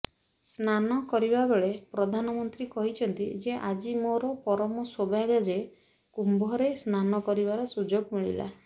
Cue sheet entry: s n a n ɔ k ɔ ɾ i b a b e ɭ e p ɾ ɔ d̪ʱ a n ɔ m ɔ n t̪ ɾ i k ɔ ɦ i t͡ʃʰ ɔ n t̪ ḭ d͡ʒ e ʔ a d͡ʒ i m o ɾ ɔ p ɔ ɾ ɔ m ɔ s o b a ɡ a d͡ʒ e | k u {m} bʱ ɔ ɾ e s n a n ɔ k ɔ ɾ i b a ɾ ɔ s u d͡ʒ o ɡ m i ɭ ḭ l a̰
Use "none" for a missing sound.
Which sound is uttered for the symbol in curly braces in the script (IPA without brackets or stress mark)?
m